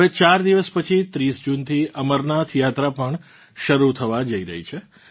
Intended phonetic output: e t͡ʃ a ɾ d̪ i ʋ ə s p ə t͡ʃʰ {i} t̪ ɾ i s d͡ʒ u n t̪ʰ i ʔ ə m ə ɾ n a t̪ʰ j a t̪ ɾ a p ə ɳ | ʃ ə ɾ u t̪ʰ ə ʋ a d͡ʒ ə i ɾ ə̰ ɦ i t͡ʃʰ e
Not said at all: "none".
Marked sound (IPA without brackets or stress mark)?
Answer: i